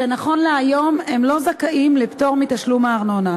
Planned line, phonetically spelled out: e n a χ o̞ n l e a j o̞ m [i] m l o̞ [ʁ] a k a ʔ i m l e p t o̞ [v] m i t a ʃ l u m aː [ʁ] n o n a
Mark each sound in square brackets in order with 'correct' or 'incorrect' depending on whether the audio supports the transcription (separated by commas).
incorrect, incorrect, incorrect, correct